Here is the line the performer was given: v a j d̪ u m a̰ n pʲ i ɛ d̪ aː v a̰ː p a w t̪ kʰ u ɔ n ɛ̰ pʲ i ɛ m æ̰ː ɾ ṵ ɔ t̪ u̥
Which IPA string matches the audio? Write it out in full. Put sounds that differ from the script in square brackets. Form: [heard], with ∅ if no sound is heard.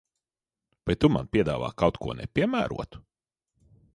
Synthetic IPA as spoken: v a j [t̪] u m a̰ n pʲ i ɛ d̪ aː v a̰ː [k] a w t̪ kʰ u ɔ n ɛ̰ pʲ i ɛ m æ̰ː ɾ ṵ ɔ t̪ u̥